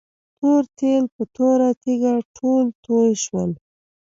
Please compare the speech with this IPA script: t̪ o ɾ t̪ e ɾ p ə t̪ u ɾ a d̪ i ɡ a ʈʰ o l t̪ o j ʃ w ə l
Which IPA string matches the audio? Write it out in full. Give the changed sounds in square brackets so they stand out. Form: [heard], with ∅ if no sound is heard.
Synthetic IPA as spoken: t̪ o ɾ t̪ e [l] p ə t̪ [o] ɾ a [t̪] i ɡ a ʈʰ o l t̪ o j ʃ w ə l